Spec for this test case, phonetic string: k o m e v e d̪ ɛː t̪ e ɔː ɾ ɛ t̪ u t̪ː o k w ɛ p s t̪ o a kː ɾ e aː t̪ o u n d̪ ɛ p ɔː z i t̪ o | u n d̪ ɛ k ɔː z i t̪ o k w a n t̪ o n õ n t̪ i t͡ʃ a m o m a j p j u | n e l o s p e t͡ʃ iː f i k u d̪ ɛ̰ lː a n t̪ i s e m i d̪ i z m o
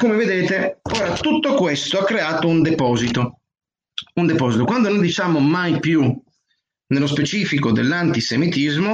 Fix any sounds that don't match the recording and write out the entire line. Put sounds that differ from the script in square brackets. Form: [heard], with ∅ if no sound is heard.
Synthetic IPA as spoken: k o m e v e d̪ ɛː t̪ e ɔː ɾ [a] t̪ u t̪ː o k w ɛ [∅] s t̪ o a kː ɾ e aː t̪ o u n d̪ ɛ p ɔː z i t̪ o | u n d̪ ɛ [p] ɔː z i t̪ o k w a n [d̪] o n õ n [d̪] i t͡ʃ a m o m a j p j u | n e l o s p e t͡ʃ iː f i k [o] d̪ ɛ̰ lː a n t̪ i s e m i [t̪] i z m o